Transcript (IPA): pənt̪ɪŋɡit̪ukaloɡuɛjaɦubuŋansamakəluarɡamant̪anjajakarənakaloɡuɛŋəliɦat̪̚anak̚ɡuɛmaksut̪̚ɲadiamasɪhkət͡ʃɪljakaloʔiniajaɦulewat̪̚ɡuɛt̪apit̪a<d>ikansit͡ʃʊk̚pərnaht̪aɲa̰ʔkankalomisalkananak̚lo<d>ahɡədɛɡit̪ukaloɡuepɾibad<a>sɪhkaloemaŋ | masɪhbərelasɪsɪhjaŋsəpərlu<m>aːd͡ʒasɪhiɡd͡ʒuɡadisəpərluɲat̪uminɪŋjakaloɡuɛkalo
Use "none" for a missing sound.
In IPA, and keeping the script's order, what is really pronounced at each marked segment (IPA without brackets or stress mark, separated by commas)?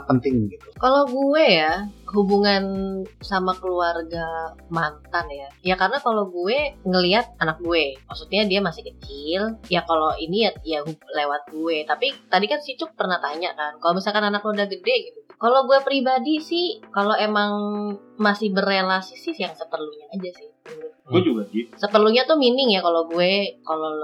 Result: d, d, i, ɲ